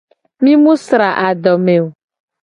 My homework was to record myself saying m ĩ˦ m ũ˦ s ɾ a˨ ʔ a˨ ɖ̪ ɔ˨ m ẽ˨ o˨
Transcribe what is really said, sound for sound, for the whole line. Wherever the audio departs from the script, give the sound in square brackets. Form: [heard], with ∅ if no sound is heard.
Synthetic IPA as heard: m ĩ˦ m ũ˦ s ɾ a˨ ʔ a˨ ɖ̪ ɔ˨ m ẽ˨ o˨